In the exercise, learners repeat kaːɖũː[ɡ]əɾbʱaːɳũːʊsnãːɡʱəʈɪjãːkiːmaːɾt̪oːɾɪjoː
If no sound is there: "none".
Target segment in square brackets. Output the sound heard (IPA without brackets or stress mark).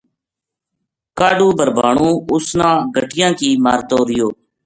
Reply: b